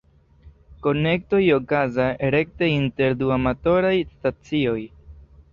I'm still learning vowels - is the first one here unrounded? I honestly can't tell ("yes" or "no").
no